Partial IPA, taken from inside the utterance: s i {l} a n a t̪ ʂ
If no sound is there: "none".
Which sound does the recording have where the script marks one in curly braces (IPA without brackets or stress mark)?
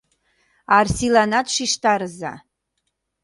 l